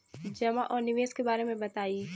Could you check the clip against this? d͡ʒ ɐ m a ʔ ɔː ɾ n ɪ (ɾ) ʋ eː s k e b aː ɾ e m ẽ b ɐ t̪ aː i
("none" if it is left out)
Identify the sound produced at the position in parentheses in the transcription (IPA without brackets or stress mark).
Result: none